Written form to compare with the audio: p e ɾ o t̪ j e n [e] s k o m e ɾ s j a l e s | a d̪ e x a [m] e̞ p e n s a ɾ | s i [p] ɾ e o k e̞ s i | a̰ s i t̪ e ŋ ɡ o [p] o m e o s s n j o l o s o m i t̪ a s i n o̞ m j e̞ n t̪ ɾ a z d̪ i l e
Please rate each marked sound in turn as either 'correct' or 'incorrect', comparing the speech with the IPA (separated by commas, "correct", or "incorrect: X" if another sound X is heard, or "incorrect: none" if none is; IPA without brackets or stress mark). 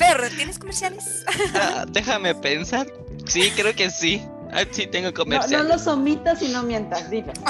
correct, correct, incorrect: k, incorrect: k